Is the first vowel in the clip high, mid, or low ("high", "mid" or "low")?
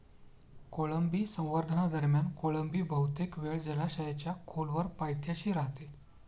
mid